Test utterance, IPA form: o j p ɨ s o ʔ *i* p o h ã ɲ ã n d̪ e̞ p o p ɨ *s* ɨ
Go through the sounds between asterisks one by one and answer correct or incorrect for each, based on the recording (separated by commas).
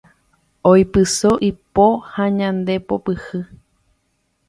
correct, incorrect